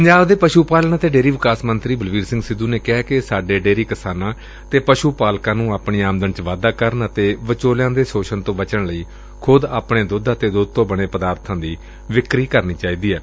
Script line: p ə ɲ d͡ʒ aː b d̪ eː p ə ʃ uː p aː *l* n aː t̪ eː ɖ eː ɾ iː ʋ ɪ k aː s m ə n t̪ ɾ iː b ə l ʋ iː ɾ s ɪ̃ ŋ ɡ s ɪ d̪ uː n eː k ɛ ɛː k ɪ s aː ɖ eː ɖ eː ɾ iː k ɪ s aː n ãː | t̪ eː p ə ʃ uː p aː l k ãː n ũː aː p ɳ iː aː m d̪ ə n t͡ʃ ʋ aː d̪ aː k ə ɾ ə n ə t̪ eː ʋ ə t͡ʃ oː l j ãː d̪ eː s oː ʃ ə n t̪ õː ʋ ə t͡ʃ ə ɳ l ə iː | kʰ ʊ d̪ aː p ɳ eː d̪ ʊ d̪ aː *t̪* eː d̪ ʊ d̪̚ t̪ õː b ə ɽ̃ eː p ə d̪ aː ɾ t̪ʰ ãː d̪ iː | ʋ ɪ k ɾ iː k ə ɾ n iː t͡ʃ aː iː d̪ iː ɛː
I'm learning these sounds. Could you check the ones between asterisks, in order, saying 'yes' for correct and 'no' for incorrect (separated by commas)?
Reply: yes, yes